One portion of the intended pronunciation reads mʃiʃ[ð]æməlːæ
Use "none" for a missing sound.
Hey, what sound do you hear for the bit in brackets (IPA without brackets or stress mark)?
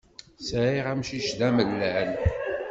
ð